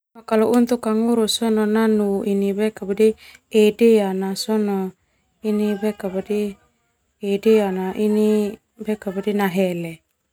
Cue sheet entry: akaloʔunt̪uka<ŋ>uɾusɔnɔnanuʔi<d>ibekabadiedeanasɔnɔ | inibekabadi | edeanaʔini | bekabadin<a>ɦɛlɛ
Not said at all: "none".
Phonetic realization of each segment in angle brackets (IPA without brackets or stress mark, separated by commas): ŋ, n, a